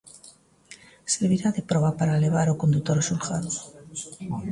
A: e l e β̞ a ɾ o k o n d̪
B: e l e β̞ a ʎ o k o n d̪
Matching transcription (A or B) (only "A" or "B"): A